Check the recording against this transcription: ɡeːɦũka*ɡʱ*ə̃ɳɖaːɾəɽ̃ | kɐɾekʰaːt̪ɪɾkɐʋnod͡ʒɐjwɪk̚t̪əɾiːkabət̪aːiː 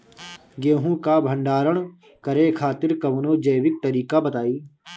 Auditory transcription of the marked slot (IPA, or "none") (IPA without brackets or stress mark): bʱ